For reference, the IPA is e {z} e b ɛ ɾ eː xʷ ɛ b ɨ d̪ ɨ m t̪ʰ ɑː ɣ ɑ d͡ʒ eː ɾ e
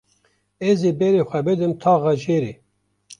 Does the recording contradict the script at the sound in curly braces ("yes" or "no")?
no